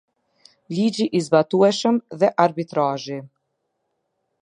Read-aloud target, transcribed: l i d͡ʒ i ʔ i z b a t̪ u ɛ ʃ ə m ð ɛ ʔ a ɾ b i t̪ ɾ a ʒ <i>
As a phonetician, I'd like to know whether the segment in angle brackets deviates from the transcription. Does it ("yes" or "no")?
no